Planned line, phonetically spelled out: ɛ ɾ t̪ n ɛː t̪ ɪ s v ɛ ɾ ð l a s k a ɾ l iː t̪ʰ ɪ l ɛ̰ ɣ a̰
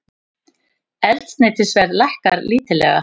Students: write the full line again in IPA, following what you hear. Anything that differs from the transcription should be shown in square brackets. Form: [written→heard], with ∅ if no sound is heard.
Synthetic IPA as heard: ɛ [ɾ→l] t̪ n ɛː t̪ ɪ s v ɛ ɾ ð l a [s→h] k a ɾ l iː [t̪ʰ→t̪] ɪ l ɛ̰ ɣ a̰